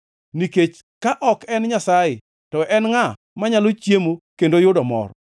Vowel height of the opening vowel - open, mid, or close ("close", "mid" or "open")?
close